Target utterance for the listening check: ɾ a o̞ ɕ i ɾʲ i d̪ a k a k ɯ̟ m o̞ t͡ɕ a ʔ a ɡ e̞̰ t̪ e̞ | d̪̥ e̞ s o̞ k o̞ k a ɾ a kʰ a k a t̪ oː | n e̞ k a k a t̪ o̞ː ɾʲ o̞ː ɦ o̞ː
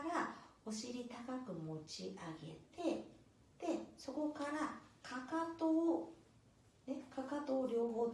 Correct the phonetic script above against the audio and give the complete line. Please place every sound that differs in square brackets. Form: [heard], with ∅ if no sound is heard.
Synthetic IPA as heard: ɾ a o̞ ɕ i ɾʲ i [t̪] a k a k ɯ̟ m o̞ t͡ɕ [i] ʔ a ɡ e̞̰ t̪ e̞ | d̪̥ e̞ s o̞ k o̞ k a ɾ a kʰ a k a t̪ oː | n e̞ k a k a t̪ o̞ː ɾʲ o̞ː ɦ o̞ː